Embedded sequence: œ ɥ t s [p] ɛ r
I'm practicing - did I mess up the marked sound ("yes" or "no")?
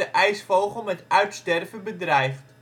yes